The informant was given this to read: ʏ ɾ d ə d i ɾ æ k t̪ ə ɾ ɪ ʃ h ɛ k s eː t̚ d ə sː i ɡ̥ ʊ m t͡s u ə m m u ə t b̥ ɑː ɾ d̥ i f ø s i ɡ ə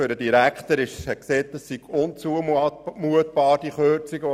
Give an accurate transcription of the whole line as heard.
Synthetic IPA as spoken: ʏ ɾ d ə d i ɾ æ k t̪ ə ɾ ɪ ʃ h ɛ k s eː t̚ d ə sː i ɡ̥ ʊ n t͡s u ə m m u ə t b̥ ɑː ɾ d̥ i χ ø t͡s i ɡ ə

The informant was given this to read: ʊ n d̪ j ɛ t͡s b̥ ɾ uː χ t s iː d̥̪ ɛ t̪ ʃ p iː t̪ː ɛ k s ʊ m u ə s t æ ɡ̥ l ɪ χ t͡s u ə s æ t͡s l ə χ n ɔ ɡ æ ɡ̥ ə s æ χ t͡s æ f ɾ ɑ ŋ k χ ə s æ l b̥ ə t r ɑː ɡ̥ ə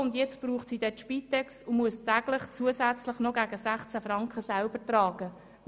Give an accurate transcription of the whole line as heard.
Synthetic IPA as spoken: ʊ n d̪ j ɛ t͡s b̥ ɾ uː χ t s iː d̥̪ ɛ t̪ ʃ p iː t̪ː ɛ k s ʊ m u ə s t æ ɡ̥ l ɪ χ t͡s u ə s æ t͡s l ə χ n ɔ ɡ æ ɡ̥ ə s æ χ t͡s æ f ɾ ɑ ŋ k χ ə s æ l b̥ ə t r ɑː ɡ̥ ə

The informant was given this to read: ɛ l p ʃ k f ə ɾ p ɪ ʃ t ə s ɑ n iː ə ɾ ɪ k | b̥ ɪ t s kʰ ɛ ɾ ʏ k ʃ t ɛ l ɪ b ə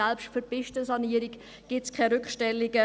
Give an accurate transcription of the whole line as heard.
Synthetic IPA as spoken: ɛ l p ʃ t f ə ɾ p ɪ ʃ t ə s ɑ n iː ə ɾ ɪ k | ɡ̥ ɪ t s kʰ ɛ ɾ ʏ k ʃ t ɛ l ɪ ɡ ə

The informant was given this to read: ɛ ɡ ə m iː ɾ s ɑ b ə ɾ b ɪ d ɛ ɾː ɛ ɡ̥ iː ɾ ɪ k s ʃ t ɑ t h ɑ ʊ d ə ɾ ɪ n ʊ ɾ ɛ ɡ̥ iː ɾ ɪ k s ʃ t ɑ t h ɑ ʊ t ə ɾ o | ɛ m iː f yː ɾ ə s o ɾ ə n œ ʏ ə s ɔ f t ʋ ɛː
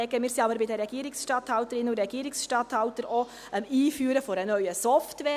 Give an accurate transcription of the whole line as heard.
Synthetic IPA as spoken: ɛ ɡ ə m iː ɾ s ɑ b ə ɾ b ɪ d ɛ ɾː ɛ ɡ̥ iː ɾ ɪ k s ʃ t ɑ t h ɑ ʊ t ə ɾ ɪ n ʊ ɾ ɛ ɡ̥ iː ɾ ɪ k s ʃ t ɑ t h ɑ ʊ t ə ɾ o | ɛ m iː f yː ɾ ə f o ɾ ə n œ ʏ ə s ɔ f t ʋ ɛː

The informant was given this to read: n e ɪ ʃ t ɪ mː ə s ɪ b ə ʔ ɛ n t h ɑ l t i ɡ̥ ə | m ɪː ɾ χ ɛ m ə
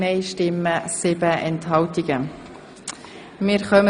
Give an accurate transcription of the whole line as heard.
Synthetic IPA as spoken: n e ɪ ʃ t ɪ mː ə s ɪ b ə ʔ ɛ n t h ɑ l t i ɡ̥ ə | m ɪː ɾ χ œ m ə

